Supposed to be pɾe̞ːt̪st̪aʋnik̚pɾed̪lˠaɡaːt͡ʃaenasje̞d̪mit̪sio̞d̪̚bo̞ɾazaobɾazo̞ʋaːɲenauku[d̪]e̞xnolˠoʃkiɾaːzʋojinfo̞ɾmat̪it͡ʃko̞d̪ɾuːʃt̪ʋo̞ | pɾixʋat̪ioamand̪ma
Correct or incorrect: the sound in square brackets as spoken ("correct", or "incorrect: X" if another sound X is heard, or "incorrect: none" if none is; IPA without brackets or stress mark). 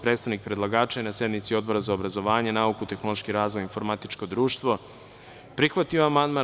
incorrect: t̪